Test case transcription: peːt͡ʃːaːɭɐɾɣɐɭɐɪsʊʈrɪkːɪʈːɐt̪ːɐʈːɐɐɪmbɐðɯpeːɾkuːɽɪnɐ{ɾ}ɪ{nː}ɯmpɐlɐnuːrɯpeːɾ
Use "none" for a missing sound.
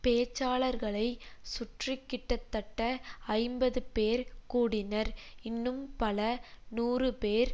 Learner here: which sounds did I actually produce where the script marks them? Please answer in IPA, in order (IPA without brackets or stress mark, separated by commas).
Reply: ɾ, nː